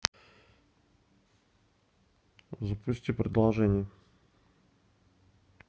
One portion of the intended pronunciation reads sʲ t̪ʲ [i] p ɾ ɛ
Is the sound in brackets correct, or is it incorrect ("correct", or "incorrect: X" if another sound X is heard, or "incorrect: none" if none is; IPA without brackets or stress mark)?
correct